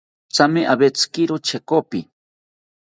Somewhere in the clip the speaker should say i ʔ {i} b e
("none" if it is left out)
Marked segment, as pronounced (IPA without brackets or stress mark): a